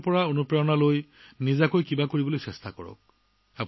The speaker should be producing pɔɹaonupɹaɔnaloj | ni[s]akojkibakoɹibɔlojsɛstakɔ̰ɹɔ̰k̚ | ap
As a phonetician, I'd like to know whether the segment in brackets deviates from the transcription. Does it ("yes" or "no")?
yes